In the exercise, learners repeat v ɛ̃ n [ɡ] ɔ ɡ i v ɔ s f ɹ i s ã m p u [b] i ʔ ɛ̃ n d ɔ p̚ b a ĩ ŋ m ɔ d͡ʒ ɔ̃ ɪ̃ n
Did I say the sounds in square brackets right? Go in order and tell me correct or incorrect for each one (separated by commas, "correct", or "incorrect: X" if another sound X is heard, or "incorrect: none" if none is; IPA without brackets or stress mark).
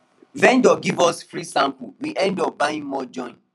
incorrect: d, incorrect: w